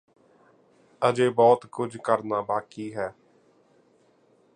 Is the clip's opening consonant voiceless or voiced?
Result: voiced